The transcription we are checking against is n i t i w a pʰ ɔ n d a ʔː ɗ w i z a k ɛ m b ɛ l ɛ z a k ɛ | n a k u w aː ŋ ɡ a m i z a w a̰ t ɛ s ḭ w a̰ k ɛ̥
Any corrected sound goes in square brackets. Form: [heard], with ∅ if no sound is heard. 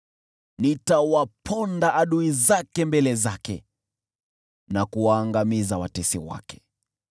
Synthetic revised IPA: n i t [a] w a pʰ ɔ n d a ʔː ɗ [u] i z a k ɛ m b ɛ l ɛ z a k ɛ | n a k u w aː ŋ ɡ a m i z a w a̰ t ɛ s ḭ w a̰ k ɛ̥

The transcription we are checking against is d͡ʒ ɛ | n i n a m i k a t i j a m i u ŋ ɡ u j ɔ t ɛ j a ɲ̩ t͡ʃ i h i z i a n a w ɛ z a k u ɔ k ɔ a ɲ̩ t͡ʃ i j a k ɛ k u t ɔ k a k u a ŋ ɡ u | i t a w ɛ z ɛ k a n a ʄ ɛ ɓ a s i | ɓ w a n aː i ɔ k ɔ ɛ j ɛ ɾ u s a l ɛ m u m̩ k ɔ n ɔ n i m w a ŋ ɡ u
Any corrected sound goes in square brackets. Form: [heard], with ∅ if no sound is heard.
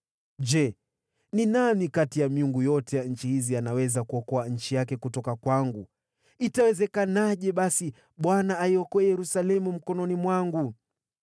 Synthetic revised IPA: d͡ʒ ɛ | n i n a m i k a t i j a m i u ŋ ɡ u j ɔ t ɛ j a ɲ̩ t͡ʃ i h i z i a n a w ɛ z a k u ɔ k ɔ a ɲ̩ t͡ʃ i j a k ɛ k u t ɔ k a k [w] a ŋ ɡ u | i t a w ɛ z ɛ k a n a ʄ ɛ ɓ a s i | ɓ w a n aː i ɔ k ɔ ɛ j ɛ ɾ u s a l ɛ m u m̩ k ɔ n ɔ n i m w a ŋ ɡ u

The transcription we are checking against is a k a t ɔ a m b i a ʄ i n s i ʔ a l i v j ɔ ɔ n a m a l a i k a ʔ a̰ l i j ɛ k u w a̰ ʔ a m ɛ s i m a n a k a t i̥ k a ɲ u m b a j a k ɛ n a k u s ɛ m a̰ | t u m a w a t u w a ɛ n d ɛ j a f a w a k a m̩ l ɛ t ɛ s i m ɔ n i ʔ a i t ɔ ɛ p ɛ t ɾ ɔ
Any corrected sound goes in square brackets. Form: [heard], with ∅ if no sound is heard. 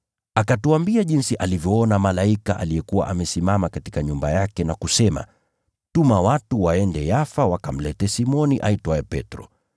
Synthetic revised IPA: a k a t [u] a m b i a ʄ i n s i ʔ a l i v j ɔ ɔ n a m a l a i k a ʔ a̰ l i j ɛ k u w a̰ ʔ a m ɛ s i m a [m] a k a t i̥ k a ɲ u m b a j a k ɛ n a k u s ɛ m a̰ | t u m a w a t u w a ɛ n d ɛ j a f a w a k a m̩ l ɛ t ɛ s i m ɔ n i ʔ a i t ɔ ɛ p ɛ t ɾ ɔ

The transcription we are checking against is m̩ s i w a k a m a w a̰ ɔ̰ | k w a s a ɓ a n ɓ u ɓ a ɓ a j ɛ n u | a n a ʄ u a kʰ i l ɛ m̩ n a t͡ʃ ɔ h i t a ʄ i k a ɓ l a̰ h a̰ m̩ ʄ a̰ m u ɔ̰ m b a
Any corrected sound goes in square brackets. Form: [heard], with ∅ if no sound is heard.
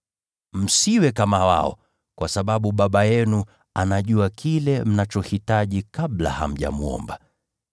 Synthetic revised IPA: m̩ s i w [ɛ] k a m a w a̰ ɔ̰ | k w a s a ɓ a [∅] ɓ u ɓ a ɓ a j ɛ n u | a n a ʄ u a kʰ i l ɛ m̩ n a t͡ʃ ɔ h i t a ʄ i k a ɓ l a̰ h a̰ m̩ ʄ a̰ m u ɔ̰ m b a

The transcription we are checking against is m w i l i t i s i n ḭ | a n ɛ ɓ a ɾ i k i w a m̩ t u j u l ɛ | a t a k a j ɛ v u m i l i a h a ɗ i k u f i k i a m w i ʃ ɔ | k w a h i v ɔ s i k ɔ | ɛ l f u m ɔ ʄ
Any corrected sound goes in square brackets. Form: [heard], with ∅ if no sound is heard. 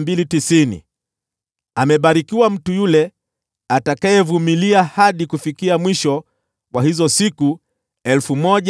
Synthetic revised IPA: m [b] i l i t i s i n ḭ | a [m] ɛ ɓ a ɾ i k i w a m̩ t u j u l ɛ | a t a k a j ɛ v u m i l i a h a ɗ i k u f i k i a m w i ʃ ɔ | k w a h i [z] ɔ s i k [u] | ɛ l f u m ɔ ʄ

